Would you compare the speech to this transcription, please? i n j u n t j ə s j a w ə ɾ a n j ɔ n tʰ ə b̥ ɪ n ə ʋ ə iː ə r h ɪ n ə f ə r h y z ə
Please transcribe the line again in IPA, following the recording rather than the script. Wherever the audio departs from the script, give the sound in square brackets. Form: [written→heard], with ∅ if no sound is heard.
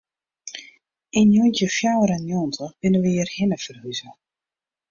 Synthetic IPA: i n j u n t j ə [s→f] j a w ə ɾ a n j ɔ n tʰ ə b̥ ɪ n ə ʋ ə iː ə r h ɪ n ə f ə r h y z ə